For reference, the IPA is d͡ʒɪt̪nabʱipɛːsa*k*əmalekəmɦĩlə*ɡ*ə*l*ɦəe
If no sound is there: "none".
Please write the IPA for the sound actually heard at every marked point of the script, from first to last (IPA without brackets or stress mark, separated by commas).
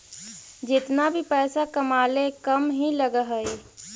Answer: k, ɡ, none